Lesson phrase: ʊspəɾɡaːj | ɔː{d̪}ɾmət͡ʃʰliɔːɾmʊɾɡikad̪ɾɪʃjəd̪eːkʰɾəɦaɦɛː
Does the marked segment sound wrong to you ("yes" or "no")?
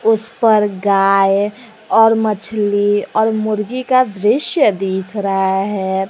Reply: yes